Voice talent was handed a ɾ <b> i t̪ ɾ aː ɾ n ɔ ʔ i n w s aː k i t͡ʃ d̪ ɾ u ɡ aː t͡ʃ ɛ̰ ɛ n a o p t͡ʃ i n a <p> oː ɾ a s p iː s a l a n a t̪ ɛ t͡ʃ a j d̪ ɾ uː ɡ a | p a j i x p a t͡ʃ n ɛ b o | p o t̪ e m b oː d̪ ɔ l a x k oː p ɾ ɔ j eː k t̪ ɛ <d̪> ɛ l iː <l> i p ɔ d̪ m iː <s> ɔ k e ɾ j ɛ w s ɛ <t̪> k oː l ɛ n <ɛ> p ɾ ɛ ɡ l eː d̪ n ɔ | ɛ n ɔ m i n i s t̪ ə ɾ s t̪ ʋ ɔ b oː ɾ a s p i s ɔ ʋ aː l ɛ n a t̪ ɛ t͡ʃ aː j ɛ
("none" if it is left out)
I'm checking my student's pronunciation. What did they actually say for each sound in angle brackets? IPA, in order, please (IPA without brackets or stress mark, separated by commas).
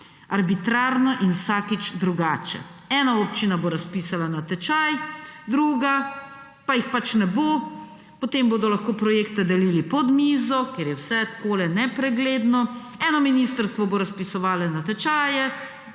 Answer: b, b, d̪, l, z, t̪, ɛ